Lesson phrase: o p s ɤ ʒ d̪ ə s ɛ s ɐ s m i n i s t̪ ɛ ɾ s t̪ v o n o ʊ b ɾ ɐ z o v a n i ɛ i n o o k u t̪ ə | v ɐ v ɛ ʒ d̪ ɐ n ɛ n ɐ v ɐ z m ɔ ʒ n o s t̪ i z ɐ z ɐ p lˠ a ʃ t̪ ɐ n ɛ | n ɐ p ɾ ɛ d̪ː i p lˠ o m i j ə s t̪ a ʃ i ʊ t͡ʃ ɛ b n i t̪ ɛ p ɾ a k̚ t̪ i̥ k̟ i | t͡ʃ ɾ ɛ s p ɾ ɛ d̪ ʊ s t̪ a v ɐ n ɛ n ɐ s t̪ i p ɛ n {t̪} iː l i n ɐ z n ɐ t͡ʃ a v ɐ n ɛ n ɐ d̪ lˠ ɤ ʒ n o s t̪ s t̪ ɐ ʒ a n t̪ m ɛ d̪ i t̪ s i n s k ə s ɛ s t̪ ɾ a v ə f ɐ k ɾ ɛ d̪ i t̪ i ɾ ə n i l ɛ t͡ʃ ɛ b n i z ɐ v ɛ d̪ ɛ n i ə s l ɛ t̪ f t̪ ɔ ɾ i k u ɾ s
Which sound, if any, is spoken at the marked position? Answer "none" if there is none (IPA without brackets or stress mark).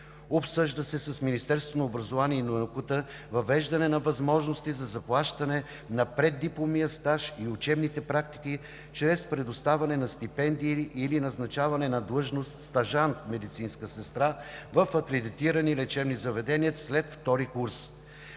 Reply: d̪